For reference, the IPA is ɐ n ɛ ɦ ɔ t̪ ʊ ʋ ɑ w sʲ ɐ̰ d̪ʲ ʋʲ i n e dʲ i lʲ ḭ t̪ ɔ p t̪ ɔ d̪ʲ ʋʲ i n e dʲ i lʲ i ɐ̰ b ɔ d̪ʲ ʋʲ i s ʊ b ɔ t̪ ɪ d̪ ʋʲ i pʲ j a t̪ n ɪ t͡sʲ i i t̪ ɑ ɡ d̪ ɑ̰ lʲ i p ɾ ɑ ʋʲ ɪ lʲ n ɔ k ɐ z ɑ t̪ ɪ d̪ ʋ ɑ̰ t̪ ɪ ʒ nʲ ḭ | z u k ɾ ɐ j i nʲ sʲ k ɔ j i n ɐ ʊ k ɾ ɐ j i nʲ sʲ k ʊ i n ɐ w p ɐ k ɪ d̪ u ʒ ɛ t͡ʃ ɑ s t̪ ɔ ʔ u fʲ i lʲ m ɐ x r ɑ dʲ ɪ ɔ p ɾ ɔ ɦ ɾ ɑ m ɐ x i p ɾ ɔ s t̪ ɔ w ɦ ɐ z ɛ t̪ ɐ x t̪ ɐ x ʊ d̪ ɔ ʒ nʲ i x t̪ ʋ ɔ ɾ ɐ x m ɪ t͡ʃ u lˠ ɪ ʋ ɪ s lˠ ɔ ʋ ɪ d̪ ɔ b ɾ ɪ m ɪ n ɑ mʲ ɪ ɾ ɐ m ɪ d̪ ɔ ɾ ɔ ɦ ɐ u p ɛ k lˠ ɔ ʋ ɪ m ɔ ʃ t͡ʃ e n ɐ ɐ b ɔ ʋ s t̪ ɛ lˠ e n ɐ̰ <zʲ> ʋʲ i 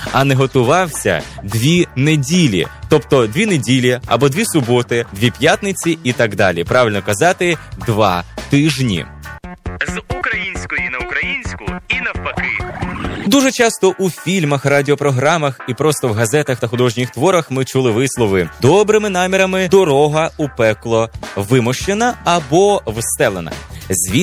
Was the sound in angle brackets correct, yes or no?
yes